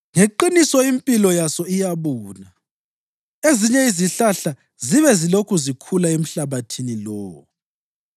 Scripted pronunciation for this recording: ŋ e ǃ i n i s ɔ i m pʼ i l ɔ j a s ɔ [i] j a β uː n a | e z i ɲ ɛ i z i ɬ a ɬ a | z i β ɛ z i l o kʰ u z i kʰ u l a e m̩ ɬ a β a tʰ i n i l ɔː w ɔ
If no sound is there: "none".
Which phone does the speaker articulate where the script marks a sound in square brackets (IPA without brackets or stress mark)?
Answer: i